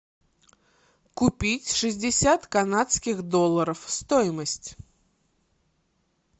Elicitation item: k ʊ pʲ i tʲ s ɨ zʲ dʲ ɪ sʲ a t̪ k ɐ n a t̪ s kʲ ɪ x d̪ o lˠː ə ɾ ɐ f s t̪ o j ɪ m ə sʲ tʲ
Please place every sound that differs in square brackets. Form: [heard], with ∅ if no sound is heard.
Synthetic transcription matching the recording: k ʊ pʲ i tʲ [ʂ] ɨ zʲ dʲ ɪ sʲ a t̪ k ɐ n a t̪ s kʲ ɪ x d̪ o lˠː ə ɾ [ə] f s t̪ o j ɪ m ə sʲ tʲ